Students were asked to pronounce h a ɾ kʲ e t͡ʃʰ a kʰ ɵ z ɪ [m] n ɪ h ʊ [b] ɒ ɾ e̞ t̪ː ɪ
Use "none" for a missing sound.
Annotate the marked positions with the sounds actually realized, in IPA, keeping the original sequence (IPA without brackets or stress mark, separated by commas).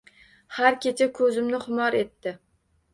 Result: m, m